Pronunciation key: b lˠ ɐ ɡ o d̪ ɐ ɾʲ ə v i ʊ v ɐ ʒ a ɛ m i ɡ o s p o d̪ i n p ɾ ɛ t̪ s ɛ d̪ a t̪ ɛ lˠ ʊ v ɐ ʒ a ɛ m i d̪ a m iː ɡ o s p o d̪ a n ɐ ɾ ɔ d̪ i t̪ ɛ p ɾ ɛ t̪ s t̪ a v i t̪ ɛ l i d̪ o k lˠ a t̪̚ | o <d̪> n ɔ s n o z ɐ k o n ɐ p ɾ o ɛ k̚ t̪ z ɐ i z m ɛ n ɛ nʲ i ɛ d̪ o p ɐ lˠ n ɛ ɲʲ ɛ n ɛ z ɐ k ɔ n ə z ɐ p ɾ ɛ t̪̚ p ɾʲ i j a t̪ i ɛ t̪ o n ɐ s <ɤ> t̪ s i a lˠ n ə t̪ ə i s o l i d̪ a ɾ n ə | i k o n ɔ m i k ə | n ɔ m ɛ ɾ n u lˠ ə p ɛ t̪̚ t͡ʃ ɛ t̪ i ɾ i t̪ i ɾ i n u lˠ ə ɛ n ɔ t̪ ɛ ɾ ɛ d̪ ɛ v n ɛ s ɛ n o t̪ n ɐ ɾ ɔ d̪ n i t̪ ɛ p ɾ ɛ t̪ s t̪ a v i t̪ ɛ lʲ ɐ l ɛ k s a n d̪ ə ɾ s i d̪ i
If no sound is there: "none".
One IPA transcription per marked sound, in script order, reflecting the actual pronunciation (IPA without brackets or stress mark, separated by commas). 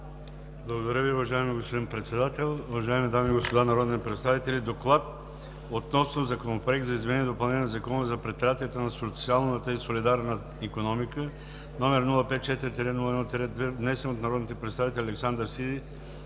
t̪, o